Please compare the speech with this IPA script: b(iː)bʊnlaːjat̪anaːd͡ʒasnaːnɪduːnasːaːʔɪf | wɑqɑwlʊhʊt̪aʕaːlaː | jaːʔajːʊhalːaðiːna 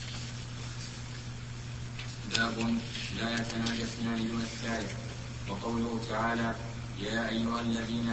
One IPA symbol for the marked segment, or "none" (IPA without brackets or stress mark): aː